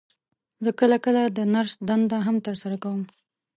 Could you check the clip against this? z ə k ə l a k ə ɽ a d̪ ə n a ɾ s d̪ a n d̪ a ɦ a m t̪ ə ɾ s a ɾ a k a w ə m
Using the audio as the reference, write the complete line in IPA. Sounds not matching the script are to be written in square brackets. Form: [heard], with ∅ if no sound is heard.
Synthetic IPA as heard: z ə k ə l a k ə [l] a d̪ ə n a ɾ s d̪ a n d̪ a ɦ a m t̪ ə ɾ s a ɾ a k a w ə m